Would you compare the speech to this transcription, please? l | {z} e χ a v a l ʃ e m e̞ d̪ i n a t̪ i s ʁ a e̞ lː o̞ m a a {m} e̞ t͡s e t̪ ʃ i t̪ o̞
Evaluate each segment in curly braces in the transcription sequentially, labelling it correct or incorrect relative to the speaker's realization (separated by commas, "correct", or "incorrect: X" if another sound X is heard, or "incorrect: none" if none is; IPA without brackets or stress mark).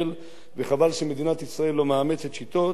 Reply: incorrect: v, correct